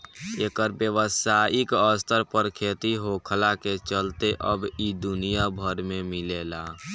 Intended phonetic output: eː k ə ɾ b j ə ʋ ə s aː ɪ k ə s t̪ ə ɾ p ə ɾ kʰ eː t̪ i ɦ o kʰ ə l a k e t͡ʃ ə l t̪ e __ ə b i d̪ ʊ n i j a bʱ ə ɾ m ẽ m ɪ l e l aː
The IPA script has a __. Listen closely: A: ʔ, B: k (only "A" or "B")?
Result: A